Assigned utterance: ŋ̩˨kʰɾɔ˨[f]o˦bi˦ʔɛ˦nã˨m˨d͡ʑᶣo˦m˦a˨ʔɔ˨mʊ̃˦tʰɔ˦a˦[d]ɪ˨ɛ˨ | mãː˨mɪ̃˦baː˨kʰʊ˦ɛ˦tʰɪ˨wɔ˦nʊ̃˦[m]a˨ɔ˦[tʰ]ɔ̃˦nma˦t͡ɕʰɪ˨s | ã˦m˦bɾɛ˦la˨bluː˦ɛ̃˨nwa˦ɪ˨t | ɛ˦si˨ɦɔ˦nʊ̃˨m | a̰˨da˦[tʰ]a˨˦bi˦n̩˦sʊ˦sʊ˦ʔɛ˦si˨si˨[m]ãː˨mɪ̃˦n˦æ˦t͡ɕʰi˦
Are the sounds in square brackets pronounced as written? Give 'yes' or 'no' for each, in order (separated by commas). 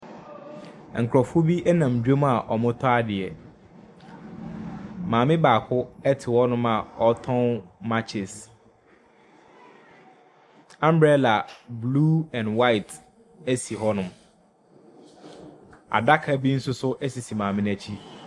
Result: yes, yes, yes, yes, no, yes